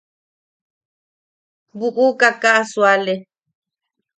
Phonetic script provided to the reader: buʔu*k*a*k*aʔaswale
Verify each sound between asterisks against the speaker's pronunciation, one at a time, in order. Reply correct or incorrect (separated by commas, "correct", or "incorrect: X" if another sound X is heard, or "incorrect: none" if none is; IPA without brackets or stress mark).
correct, correct